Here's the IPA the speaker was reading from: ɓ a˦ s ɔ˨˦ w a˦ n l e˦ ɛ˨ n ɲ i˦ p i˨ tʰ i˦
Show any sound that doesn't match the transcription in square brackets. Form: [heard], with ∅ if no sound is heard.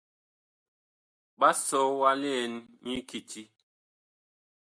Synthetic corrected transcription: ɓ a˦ s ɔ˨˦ w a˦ [∅] l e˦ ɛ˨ n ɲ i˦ [k] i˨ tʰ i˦